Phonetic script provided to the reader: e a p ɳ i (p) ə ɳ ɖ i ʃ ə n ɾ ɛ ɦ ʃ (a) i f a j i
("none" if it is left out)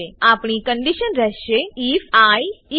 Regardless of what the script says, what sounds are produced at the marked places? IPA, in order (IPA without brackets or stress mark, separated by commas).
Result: k, e